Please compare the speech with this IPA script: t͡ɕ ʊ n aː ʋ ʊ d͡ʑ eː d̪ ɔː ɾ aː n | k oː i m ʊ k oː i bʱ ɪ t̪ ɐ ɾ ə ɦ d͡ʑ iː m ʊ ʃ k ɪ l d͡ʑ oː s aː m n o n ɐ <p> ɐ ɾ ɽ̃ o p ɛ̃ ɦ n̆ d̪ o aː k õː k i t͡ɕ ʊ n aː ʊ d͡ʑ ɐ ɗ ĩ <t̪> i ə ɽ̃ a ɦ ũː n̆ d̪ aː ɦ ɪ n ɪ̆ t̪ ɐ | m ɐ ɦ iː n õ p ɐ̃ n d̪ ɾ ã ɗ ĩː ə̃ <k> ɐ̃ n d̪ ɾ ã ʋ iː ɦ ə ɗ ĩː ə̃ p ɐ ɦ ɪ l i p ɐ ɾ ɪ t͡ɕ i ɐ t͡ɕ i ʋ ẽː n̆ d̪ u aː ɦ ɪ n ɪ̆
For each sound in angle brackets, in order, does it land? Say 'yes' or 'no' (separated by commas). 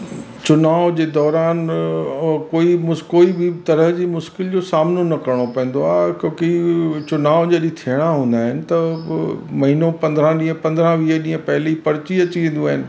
no, no, no